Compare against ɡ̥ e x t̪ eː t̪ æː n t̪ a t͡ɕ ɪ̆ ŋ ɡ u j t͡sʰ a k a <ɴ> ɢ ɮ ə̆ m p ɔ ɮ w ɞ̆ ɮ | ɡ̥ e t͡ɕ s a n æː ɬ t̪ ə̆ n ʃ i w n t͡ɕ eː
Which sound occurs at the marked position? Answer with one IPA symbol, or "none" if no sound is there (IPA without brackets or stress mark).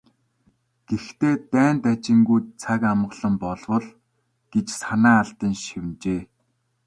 m